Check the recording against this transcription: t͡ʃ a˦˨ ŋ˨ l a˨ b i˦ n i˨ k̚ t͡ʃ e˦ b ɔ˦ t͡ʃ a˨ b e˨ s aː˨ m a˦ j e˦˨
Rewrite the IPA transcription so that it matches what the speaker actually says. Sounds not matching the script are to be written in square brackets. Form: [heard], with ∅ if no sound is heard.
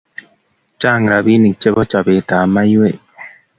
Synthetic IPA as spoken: t͡ʃ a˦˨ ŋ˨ [ɾ] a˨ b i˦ n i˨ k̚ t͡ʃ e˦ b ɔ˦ t͡ʃ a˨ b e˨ [t] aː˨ m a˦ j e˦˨